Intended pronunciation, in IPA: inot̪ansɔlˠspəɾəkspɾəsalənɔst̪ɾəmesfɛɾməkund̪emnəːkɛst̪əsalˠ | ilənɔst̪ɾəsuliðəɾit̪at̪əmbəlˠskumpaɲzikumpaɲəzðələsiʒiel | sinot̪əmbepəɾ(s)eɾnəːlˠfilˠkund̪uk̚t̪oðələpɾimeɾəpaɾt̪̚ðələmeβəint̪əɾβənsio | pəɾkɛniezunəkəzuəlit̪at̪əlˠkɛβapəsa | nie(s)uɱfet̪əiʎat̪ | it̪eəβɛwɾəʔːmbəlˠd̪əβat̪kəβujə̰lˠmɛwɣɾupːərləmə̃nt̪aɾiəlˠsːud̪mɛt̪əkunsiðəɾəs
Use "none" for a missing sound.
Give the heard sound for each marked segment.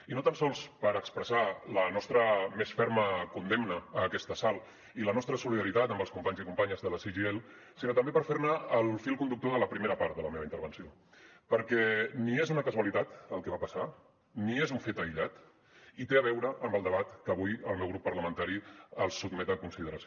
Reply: f, z

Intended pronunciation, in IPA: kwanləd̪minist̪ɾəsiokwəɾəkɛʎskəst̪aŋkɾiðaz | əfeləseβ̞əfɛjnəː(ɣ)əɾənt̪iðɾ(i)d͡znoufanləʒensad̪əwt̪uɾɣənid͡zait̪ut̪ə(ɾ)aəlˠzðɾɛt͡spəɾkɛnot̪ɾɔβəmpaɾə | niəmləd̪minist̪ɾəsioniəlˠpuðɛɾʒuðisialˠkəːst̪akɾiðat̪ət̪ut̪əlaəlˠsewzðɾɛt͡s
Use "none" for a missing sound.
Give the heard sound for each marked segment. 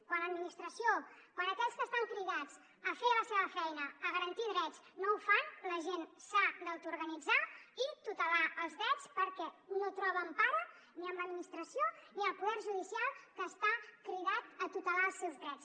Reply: ɣ, ɛ, l

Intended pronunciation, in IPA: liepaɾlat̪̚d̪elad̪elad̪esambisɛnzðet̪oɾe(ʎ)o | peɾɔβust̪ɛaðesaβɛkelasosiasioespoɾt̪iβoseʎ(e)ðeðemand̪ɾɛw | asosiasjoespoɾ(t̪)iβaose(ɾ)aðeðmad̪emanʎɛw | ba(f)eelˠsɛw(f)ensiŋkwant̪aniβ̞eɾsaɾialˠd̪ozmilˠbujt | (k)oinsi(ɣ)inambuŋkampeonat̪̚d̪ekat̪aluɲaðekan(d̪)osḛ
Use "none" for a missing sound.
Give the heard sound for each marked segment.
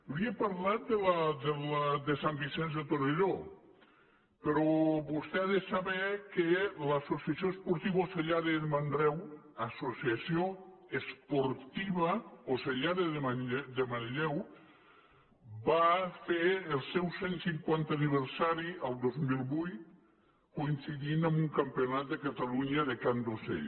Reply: ʎ, a, t̪, ʎ, f, s, k, ð, d̪

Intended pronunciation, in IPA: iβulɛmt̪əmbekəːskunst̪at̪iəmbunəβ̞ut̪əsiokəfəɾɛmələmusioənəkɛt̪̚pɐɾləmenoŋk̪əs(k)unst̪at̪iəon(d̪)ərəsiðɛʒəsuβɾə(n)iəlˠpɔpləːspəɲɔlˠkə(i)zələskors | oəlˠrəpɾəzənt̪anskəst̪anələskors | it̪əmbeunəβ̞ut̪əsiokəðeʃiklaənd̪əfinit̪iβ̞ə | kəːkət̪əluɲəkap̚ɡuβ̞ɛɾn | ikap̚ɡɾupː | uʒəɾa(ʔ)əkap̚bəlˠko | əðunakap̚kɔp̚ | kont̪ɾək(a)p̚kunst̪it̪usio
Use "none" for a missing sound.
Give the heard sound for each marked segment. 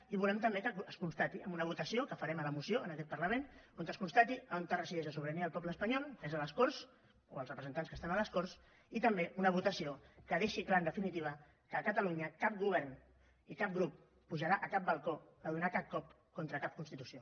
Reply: k, t̪, n, e, ʔ, a

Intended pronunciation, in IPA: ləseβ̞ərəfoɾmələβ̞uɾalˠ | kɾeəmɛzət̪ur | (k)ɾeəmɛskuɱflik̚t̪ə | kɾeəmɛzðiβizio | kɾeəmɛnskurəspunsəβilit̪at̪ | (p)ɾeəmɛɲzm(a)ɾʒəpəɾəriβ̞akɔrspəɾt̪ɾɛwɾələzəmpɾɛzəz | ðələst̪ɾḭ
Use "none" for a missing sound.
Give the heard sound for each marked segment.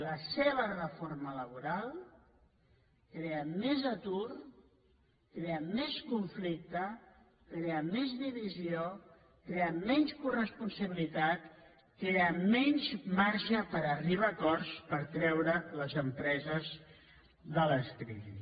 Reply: k, k, a

